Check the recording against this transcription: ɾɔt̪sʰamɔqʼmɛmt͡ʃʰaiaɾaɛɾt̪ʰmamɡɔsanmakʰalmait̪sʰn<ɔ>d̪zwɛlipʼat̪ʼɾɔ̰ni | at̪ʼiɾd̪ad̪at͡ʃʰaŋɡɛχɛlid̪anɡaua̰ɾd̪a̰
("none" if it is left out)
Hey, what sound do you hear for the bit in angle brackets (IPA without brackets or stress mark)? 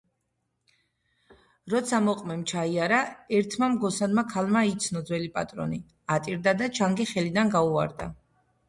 ɔ